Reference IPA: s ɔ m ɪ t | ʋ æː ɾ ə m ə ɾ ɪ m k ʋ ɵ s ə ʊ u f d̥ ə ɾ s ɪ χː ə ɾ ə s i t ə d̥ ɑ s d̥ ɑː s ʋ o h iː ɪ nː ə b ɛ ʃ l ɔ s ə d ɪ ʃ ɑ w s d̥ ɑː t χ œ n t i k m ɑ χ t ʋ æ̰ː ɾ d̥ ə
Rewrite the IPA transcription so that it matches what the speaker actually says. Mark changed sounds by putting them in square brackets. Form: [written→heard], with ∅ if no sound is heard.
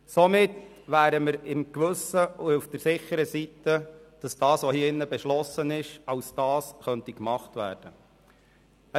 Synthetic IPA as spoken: s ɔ m ɪ t | ʋ æː ɾ ə m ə ɾ ɪ m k ʋ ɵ s ə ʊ u f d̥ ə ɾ s ɪ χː ə ɾ ə s i t ə d̥ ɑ s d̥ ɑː s ʋ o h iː ɪ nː ə b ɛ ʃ l ɔ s ə [d→n] ɪ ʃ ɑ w s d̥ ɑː [t→s] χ œ n t i k m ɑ χ t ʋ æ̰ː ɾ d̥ ə

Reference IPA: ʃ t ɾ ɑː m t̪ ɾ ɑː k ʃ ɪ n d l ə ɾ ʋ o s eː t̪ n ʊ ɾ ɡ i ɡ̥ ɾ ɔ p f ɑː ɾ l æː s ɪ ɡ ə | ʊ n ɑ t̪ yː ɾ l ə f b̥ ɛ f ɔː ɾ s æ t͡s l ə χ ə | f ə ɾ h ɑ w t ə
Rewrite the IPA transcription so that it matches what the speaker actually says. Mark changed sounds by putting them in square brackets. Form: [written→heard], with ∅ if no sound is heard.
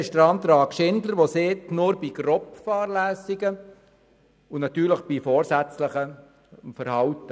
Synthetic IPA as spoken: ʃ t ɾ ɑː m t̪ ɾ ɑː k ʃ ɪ n d l ə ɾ ʋ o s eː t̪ n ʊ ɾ [ɡ→b] i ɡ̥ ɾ ɔ p f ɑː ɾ l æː s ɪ ɡ ə | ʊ n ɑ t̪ yː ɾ l ə [f→χ] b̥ [ɛ→i] f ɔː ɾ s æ t͡s l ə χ ə | f ə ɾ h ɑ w t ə

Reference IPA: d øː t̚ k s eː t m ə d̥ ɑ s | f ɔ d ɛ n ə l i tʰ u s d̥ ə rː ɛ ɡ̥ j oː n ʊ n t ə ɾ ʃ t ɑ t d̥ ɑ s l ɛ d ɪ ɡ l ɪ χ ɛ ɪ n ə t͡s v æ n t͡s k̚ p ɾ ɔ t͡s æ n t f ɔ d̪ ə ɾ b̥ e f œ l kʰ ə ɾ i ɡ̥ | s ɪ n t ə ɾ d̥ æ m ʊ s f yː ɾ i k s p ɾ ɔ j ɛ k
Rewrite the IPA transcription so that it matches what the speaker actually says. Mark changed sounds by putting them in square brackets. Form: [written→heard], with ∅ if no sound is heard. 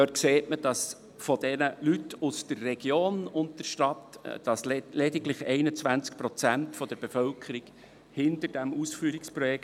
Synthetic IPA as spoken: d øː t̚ k s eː t m ə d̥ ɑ s | f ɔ d ɛ n ə l [i→y] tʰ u s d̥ ə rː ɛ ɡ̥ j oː n ʊ n t ə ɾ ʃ t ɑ t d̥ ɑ s l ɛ d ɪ ɡ l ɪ χ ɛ ɪ n ə t͡s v æ n t͡s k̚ p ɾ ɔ t͡s æ n t f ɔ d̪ ə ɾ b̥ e f œ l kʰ ə ɾ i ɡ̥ | [s→h] ɪ n t ə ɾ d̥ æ m [ʊ→u] s f yː ɾ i k s p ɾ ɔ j ɛ k

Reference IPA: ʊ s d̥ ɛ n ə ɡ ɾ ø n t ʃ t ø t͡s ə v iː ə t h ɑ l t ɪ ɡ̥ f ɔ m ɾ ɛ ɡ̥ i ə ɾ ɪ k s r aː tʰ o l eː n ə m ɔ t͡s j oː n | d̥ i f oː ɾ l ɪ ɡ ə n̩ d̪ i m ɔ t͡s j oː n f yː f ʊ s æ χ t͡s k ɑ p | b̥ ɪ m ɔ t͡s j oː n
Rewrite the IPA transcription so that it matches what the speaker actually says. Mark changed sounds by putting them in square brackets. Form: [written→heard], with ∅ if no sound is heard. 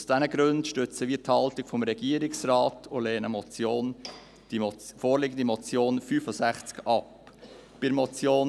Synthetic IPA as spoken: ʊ s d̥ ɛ n ə ɡ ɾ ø n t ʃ t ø t͡s ə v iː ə t h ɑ l t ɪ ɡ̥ f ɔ m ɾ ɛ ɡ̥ i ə ɾ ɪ k s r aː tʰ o l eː n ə m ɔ t͡s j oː n | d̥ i f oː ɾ l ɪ ɡ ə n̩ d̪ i m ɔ t͡s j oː n f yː f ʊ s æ χ t͡s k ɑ p | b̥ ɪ m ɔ t͡s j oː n

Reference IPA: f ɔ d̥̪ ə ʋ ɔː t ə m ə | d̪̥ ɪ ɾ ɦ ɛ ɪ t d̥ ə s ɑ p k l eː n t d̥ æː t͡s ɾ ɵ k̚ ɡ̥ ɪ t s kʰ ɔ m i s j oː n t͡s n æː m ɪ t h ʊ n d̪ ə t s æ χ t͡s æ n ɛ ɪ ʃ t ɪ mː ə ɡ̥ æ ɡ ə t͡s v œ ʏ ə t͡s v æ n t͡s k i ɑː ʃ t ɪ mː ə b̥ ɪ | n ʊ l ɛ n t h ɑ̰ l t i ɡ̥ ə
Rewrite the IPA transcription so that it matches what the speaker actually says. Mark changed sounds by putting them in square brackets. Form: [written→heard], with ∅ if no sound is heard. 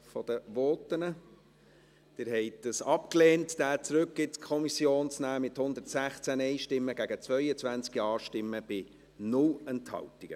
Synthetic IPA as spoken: f ɔ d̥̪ ə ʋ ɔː t ə [m→n] ə | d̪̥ ɪ ɾ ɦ ɛ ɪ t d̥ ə s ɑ p k l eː n t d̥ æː t͡s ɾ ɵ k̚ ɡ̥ ɪ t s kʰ ɔ m i s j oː n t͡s n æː m ɪ t h ʊ n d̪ ə t s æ χ t͡s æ n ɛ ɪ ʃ t ɪ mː ə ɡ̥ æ ɡ ə t͡s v œ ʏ ə t͡s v æ n t͡s k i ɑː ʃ t ɪ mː ə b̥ ɪ | n ʊ l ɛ n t h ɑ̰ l t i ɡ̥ ə

